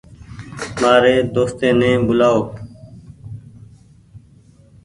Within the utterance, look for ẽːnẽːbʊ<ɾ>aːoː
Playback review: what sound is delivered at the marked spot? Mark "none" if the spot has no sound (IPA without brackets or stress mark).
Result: l